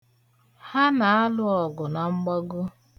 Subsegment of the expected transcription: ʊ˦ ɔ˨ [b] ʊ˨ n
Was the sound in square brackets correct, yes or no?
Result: no